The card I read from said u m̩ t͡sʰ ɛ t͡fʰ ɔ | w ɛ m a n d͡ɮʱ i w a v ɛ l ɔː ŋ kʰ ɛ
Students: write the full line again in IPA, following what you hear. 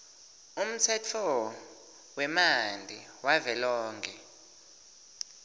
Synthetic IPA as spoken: u m̩ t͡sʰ ɛ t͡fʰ ɔ | w ɛ m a n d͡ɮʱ i w a v ɛ l ɔː ŋ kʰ ɛ